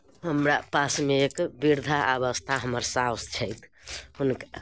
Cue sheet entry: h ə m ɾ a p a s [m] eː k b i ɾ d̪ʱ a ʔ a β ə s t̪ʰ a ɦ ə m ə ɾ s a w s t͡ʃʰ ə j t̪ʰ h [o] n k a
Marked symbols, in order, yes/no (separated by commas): yes, no